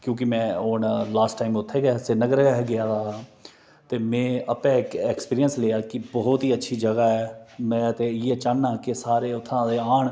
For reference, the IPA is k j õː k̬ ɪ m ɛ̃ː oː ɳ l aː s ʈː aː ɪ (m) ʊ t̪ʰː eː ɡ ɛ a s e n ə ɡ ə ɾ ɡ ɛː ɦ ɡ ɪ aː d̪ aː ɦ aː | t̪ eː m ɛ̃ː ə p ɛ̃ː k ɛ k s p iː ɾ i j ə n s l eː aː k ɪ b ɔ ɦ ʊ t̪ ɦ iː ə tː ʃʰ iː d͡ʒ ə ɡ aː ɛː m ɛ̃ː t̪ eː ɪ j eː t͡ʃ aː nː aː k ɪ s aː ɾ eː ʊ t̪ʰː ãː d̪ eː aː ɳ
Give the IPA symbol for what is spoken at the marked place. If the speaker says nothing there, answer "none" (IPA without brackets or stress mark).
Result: m